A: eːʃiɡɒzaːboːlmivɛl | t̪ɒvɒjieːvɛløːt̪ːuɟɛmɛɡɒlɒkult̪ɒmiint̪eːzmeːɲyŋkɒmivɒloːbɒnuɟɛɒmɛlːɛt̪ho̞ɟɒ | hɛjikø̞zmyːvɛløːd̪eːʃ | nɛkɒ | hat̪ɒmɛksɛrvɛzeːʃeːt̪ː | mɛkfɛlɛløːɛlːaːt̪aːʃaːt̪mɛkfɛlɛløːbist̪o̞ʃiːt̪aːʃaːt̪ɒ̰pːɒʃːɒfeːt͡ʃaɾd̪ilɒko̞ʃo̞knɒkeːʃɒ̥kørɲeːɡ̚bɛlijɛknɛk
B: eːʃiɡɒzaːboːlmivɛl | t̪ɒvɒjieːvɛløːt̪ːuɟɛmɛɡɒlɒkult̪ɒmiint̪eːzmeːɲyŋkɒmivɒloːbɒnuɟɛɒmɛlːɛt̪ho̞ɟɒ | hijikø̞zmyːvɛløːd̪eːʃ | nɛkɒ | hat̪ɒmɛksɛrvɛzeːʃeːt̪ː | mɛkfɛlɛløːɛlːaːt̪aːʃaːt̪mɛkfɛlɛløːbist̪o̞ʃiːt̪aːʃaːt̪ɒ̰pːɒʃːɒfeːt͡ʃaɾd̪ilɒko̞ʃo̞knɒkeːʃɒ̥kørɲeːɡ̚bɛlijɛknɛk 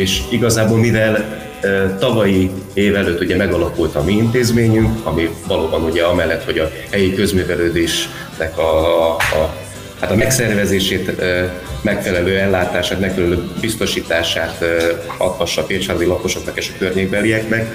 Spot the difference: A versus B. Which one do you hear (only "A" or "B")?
A